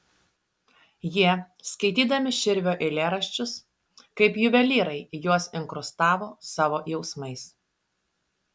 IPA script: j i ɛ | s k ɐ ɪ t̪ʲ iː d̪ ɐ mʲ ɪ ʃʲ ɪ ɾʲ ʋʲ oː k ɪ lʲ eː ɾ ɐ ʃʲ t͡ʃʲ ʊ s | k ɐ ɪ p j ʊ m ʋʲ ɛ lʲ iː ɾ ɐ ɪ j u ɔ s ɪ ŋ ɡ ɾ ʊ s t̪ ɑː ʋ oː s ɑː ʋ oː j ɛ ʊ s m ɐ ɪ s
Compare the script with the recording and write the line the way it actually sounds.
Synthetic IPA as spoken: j i ɛ | s k ɐ ɪ t̪ʲ iː d̪ ɐ mʲ ɪ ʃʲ ɪ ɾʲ ʋʲ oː ʔ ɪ lʲ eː ɾ ɐ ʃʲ t͡ʃʲ ʊ s | k ɐ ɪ p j ʊ ʋʲ ɛ lʲ iː ɾ ɐ ɪ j u ɔ s ɪ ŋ k ɾ ʊ s t̪ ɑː ʋ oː s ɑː ʋ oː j ɛ ʊ s m ɐ ɪ s